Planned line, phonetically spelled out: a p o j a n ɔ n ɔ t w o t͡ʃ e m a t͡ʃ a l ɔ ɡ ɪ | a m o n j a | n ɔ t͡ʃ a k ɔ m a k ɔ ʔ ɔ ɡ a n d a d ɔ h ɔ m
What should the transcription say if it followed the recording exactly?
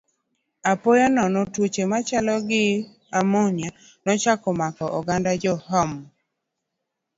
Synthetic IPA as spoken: a p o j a n ɔ n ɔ t w o t͡ʃ e m a t͡ʃ a l ɔ ɡ ɪ | a m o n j a | n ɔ t͡ʃ a k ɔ m a k ɔ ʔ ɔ ɡ a n d a d͡ʒ ɔ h ɔ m